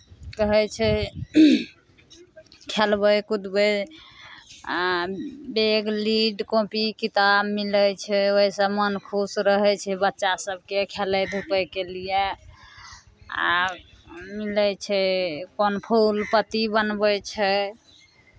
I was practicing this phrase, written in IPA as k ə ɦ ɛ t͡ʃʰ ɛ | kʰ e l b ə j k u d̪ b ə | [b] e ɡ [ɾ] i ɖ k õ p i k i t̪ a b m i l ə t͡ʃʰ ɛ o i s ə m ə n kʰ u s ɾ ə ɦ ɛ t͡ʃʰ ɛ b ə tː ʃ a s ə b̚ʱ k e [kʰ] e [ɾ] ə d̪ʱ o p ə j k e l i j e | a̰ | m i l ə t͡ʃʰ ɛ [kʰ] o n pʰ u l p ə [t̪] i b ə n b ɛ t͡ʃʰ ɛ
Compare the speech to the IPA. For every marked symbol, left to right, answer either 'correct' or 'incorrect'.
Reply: correct, incorrect, correct, incorrect, incorrect, correct

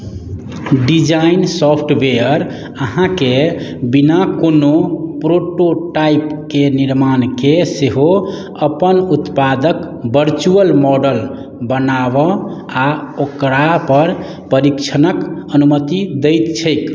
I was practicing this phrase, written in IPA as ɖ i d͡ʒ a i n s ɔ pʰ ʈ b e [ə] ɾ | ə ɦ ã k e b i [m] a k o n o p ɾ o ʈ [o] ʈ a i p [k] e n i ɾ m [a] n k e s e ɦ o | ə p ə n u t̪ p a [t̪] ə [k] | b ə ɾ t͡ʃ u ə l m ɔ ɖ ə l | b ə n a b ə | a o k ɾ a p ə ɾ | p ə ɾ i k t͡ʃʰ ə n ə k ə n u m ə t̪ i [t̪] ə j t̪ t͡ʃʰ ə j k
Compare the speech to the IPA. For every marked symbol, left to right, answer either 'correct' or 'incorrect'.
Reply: correct, incorrect, correct, correct, correct, incorrect, correct, incorrect

